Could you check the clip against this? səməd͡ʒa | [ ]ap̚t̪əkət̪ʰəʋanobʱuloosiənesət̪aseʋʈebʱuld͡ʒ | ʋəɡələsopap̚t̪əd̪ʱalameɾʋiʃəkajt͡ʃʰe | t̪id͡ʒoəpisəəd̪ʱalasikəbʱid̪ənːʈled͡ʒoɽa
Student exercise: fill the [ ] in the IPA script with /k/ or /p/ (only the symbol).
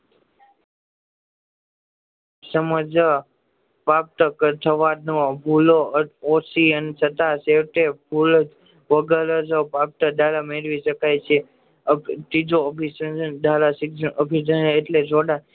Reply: p